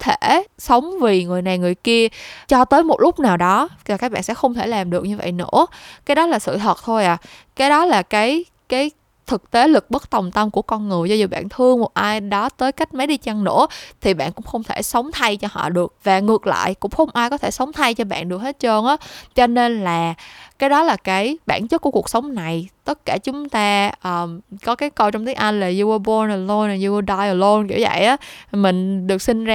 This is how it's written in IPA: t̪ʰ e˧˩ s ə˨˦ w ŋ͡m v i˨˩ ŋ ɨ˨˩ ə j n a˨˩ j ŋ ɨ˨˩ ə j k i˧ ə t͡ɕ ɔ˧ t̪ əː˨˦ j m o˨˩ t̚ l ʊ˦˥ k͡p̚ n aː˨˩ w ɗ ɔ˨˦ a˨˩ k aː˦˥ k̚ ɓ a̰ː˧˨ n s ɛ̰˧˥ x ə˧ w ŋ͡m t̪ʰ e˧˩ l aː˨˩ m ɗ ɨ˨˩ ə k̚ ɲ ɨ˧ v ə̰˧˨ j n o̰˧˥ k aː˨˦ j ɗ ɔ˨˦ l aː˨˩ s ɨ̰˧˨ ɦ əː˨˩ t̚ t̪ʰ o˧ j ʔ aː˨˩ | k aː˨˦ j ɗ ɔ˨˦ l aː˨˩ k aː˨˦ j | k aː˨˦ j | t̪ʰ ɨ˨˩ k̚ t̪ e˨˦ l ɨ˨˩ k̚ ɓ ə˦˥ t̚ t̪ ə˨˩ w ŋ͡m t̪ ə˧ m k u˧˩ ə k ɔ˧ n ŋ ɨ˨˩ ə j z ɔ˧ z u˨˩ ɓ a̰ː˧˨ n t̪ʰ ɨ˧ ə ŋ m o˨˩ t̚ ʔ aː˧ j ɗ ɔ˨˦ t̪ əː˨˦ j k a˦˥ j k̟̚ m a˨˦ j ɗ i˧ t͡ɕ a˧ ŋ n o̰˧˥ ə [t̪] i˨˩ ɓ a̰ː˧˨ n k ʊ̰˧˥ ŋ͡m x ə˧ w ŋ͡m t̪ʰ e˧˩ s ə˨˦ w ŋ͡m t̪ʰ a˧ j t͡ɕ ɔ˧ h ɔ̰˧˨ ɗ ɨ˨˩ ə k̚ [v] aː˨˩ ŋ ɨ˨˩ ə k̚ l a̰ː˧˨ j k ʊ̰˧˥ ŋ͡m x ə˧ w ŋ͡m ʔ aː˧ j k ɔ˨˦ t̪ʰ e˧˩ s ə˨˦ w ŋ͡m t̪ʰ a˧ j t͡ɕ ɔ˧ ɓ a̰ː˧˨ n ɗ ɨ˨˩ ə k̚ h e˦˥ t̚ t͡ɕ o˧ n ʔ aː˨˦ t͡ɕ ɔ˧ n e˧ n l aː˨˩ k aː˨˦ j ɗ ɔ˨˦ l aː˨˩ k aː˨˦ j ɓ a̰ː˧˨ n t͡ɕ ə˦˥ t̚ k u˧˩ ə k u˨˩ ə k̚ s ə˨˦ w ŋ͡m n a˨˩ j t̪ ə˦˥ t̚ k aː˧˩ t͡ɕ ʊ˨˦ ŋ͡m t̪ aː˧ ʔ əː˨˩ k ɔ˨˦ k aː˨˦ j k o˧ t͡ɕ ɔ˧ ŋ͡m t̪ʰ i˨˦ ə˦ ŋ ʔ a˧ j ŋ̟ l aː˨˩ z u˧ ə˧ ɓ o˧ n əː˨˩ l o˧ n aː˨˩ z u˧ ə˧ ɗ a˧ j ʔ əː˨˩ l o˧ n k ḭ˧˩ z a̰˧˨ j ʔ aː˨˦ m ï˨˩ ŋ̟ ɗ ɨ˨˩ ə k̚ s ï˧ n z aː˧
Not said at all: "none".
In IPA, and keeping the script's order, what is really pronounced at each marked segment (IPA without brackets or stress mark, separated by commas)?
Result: t̪ʰ, v